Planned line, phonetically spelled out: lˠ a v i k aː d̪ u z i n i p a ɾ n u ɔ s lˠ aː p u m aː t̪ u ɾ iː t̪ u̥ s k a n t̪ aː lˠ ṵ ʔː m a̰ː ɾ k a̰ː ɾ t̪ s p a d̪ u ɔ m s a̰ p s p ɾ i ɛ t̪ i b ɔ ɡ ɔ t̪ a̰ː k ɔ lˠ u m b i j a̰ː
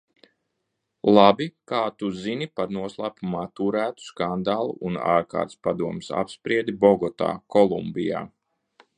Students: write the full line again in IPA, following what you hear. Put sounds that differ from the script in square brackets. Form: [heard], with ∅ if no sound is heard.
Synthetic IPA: lˠ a [b] i k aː [t̪] u z i n i p a ɾ n u ɔ s lˠ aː p u m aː t̪ u ɾ [æː] t̪ u̥ s k a n [d̪] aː lˠ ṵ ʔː [n] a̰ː ɾ k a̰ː ɾ t̪ s p a d̪ u ɔ m s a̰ p s p ɾ i ɛ [d̪] i b ɔ ɡ ɔ t̪ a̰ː k ɔ lˠ u m b i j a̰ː